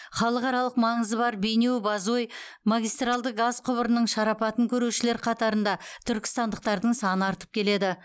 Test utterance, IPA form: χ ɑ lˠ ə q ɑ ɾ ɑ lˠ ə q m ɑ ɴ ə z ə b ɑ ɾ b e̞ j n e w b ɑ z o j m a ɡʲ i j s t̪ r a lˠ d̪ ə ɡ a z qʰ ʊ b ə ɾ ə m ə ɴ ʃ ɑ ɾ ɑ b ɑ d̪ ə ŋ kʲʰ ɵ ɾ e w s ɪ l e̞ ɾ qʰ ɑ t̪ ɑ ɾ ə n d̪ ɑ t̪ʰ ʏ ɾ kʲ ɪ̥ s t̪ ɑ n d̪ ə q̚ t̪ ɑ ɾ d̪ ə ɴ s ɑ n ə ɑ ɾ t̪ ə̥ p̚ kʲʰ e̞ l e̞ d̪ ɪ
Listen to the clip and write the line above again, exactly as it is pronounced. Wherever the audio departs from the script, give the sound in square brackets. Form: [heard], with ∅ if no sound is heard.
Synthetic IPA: χ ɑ lˠ ə q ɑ ɾ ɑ lˠ ə q m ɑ ɴ ə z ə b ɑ ɾ b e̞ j n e w b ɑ z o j m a ɡʲ i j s t̪ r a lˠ d̪ ə ɡ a z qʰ ʊ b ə ɾ ə [n] ə ɴ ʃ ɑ ɾ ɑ [p] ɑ [t̪] ə ŋ kʲʰ ɵ ɾ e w [ʃ] ɪ l e̞ ɾ qʰ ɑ t̪ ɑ ɾ ə n d̪ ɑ t̪ʰ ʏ ɾ kʲ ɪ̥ s t̪ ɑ n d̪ ə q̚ t̪ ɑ ɾ d̪ ə ɴ s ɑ n ə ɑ ɾ t̪ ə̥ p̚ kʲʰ e̞ l e̞ d̪ ɪ